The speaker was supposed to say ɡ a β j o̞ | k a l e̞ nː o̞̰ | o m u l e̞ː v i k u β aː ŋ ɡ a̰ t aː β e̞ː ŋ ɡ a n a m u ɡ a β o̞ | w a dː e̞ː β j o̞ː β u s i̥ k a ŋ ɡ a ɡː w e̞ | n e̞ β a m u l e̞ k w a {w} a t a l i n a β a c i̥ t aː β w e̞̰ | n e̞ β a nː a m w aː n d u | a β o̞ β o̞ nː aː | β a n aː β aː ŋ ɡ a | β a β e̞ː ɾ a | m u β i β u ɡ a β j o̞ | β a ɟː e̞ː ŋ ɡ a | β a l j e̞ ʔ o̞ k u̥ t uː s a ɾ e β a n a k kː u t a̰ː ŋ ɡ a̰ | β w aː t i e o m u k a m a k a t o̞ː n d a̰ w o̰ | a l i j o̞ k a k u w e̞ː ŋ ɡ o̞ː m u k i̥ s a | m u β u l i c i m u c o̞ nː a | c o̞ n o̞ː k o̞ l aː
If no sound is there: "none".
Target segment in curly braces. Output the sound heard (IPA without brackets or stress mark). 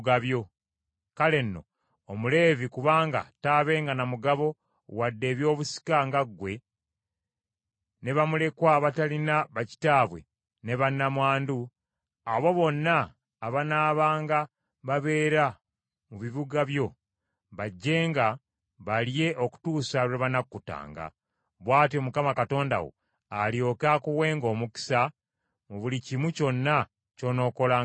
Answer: β